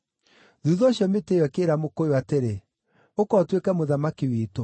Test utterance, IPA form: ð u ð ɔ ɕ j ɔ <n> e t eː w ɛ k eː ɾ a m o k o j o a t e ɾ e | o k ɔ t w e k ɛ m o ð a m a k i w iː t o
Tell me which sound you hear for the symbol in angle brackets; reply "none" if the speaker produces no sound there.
m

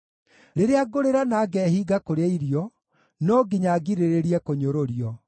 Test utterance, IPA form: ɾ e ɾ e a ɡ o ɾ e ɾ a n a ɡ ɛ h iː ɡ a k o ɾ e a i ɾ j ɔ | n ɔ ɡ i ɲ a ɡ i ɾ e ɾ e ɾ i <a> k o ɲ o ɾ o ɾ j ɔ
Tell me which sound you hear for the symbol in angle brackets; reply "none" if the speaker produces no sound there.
ɛ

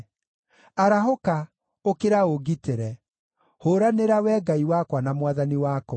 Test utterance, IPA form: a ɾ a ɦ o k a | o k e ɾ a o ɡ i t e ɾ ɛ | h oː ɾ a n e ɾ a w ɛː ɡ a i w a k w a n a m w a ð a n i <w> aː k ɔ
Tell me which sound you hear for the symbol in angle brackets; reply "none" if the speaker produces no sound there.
w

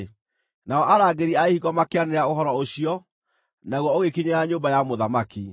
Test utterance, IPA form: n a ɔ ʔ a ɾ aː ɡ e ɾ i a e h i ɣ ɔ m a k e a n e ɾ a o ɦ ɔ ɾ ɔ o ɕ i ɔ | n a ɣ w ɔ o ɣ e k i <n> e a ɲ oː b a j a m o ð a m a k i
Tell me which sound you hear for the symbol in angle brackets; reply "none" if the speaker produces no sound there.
ɲ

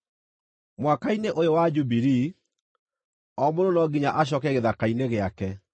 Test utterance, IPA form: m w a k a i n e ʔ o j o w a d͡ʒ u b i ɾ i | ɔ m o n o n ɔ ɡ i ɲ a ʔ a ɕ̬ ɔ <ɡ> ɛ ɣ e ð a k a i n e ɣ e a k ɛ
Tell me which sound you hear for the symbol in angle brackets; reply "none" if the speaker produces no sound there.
k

